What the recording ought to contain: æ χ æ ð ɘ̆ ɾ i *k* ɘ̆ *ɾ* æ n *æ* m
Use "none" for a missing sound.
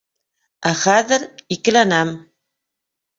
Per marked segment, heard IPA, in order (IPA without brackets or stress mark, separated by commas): k, l, æ